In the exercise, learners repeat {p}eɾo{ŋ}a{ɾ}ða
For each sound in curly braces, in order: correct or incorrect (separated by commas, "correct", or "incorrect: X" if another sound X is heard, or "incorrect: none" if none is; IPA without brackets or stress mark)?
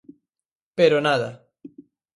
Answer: correct, incorrect: n, incorrect: none